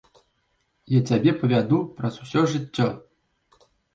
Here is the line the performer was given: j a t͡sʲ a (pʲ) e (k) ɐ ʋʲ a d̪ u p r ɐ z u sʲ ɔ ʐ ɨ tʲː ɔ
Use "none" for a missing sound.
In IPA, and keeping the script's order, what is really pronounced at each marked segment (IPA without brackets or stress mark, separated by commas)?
bʲ, p